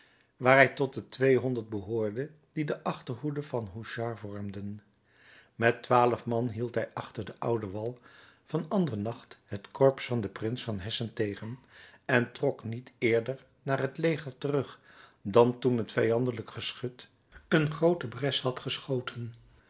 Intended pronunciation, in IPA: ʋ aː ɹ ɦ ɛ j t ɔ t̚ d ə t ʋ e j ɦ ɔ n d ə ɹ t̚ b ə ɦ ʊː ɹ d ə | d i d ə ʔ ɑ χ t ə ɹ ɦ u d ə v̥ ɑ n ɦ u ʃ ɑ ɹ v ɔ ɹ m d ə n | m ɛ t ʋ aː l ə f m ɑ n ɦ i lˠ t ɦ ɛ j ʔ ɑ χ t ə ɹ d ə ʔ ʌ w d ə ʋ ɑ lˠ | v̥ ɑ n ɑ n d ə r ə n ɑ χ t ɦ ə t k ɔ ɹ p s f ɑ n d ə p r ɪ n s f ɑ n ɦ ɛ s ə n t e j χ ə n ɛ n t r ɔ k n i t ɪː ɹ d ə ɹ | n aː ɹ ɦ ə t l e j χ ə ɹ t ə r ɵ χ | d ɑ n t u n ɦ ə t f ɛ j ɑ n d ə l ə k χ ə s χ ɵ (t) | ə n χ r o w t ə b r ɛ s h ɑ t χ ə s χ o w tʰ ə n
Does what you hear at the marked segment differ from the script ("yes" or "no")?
no